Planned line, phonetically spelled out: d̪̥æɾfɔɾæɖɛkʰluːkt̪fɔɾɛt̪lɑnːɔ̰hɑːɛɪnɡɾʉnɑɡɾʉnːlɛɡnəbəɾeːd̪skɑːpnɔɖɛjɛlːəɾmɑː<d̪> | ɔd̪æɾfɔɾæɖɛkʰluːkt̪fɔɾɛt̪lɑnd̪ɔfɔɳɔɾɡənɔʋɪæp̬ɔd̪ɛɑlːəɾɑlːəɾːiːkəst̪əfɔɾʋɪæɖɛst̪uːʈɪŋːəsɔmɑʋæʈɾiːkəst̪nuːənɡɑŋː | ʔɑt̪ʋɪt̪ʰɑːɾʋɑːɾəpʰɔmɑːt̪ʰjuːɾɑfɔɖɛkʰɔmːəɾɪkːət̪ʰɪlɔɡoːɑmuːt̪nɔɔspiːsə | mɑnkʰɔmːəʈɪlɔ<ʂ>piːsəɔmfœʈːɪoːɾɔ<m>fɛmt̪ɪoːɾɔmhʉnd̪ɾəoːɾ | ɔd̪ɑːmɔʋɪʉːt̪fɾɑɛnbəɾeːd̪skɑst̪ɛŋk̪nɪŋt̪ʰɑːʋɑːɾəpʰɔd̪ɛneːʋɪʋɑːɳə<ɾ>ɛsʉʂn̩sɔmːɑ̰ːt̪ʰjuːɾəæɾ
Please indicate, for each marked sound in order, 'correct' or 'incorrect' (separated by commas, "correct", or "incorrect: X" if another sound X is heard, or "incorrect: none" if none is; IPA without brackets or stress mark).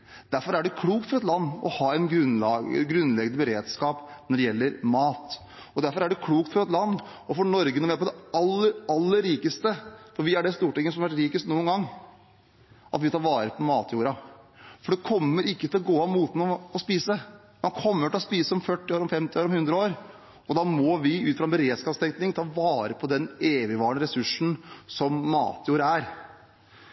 incorrect: t̪, incorrect: s, correct, correct